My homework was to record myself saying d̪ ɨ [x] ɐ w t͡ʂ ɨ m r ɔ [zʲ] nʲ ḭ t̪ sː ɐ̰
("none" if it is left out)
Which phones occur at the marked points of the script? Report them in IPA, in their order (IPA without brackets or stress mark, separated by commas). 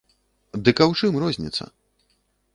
k, zʲ